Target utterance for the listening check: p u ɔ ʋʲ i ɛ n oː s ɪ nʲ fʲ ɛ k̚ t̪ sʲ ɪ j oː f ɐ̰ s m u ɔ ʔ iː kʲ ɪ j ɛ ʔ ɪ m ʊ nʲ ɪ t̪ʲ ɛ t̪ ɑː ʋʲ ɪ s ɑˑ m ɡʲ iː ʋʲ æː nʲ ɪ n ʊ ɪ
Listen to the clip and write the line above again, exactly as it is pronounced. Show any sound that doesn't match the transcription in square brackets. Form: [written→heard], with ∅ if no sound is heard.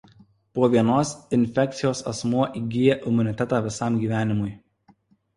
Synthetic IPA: p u ɔ ʋʲ i ɛ n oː s ɪ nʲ fʲ ɛ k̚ t̪ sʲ ɪ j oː [f→s] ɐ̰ s m u ɔ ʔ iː [kʲ→ɡʲ] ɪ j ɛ ʔ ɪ m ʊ nʲ ɪ t̪ʲ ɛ t̪ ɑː ʋʲ ɪ s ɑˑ m ɡʲ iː ʋʲ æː nʲ ɪ [n→m] ʊ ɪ